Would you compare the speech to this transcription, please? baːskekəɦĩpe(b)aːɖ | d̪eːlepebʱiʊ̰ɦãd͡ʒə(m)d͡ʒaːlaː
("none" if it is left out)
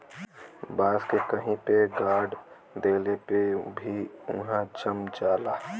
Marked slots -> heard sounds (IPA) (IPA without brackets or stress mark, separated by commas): ɡ, m